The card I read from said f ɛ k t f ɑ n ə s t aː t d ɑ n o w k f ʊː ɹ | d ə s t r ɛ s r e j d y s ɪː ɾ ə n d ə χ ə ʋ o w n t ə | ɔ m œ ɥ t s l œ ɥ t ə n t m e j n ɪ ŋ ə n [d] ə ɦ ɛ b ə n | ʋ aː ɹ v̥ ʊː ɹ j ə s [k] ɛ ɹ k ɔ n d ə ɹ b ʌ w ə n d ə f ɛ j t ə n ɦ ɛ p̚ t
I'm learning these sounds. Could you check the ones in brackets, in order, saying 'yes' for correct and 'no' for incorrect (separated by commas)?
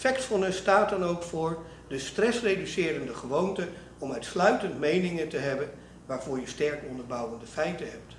no, no